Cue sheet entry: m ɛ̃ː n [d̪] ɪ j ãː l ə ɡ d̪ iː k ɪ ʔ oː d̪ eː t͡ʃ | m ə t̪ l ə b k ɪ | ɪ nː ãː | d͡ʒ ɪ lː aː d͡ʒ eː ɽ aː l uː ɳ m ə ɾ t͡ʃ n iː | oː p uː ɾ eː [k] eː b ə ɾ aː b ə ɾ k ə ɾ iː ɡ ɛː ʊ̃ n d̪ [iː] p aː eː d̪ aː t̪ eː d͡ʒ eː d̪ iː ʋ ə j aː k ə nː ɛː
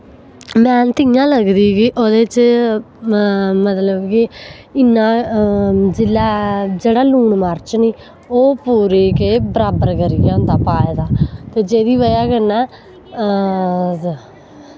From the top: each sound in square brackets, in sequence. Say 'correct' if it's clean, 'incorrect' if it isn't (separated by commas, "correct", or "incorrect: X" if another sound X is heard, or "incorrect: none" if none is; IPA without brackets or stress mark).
incorrect: t̪, correct, incorrect: aː